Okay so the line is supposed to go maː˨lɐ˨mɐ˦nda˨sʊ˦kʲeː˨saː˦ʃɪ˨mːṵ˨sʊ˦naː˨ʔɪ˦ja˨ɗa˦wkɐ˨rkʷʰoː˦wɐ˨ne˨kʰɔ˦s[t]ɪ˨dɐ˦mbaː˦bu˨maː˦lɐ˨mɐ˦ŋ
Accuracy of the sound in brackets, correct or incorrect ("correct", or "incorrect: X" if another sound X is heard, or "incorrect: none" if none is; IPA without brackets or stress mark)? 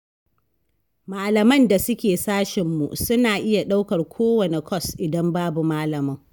incorrect: ʔ